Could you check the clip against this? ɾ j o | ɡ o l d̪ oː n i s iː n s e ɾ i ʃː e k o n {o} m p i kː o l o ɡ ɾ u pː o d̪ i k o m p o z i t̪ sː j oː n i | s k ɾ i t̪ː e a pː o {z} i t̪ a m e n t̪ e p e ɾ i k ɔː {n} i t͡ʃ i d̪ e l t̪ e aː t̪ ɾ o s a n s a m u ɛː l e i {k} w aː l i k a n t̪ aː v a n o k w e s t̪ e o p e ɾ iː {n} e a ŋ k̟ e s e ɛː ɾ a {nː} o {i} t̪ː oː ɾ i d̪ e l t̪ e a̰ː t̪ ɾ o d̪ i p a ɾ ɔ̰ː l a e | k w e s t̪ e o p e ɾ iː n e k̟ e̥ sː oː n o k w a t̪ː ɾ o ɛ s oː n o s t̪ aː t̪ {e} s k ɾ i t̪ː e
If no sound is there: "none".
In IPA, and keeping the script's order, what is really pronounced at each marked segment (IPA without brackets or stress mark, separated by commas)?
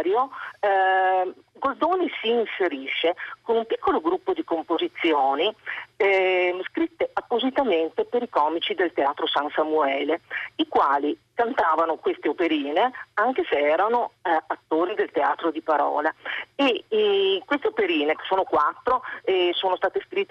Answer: u, z, m, k, n, n, a, e